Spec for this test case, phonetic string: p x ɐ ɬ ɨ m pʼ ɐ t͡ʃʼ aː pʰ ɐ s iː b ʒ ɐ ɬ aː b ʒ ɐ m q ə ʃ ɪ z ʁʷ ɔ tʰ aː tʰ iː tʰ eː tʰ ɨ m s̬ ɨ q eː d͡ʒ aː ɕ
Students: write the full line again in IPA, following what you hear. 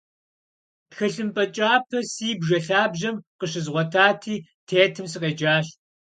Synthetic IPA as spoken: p x ɐ ɬ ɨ m pʼ ɐ t͡ʃʼ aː pʰ ɐ s iː b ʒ ɐ ɬ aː b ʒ ɐ m q ə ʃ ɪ z ʁʷ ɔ tʰ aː tʰ iː tʰ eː tʰ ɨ m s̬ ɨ q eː d͡ʒ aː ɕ